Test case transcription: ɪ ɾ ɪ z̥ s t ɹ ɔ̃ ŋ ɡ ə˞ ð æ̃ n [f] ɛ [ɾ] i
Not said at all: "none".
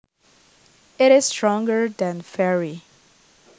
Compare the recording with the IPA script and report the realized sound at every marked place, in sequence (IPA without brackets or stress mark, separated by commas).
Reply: f, ɹ